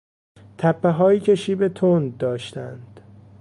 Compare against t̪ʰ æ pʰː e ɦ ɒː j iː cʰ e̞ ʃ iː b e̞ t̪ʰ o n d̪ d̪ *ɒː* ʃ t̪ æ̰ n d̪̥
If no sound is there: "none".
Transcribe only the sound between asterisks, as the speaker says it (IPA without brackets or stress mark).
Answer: ɒː